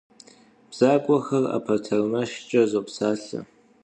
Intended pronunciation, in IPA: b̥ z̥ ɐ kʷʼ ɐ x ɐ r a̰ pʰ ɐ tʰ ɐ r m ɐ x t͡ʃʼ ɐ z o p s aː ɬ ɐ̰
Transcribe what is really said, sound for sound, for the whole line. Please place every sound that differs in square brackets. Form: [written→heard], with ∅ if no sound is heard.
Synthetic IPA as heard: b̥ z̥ [ɐ→a] kʷʼ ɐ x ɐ r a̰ pʰ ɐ tʰ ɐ r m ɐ [x→ʃ] t͡ʃʼ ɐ z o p s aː ɬ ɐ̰